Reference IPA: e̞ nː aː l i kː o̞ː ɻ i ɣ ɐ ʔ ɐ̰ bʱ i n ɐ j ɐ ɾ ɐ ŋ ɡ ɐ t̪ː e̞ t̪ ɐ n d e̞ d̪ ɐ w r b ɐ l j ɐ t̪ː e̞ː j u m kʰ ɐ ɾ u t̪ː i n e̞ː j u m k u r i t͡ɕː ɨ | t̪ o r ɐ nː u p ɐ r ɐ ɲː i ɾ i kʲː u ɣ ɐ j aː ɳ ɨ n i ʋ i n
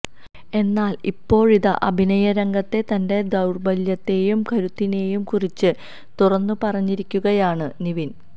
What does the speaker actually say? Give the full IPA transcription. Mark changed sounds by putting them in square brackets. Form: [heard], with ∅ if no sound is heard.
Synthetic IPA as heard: e̞ nː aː l i [pː] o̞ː ɻ i [ð] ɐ ʔ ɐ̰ bʱ i n ɐ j ɐ ɾ ɐ ŋ ɡ ɐ t̪ː e̞ t̪ ɐ n d e̞ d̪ ɐ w r b ɐ l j ɐ t̪ː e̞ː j u m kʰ ɐ ɾ u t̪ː i n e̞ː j u m k u r i t͡ɕː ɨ | t̪ [u] r ɐ nː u p ɐ r ɐ ɲː i ɾ i kʲː u ɣ ɐ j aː ɳ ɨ n i ʋ i n